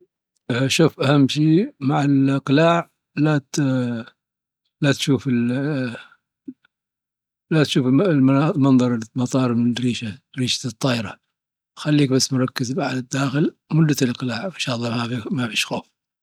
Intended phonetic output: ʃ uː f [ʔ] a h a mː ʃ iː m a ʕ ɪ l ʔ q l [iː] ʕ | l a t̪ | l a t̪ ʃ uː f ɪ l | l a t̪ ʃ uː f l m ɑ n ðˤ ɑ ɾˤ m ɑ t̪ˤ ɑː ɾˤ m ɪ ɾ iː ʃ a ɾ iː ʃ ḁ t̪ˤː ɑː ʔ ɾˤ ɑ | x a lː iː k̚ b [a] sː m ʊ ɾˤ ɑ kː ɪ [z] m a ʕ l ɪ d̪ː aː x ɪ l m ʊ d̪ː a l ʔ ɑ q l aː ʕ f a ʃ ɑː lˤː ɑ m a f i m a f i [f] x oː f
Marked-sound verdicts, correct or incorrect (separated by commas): correct, incorrect, correct, correct, incorrect